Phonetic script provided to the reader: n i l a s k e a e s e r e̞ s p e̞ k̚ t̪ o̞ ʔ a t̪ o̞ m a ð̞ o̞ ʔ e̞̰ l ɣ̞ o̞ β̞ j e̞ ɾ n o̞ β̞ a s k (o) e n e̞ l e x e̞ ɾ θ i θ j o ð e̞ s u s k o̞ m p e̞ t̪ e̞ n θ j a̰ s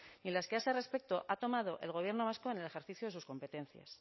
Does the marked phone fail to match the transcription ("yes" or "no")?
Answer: no